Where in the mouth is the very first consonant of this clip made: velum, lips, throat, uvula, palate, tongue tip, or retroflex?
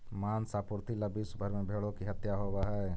lips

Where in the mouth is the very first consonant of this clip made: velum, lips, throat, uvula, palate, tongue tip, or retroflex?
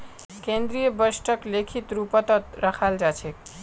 velum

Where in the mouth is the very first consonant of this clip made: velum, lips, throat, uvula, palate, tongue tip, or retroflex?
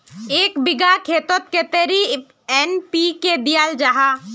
velum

